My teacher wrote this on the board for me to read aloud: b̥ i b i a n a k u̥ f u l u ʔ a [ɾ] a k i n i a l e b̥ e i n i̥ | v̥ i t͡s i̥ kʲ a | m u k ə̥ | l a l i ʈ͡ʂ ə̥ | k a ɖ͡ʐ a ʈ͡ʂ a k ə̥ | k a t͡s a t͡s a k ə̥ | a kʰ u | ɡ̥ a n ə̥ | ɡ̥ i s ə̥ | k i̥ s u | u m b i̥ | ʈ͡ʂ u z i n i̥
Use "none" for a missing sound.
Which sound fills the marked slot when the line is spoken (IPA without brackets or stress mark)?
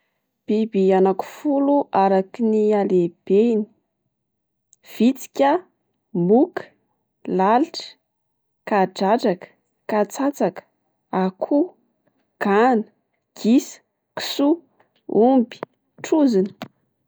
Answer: ɾ